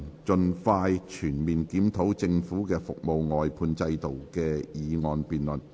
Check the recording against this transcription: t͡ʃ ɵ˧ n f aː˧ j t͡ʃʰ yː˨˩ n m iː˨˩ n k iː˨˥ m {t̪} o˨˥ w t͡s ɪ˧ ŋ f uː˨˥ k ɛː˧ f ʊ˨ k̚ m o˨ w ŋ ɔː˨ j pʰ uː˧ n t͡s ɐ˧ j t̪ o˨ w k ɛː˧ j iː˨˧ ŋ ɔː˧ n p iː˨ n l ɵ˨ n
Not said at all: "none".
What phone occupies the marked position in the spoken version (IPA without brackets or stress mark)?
t̪ʰ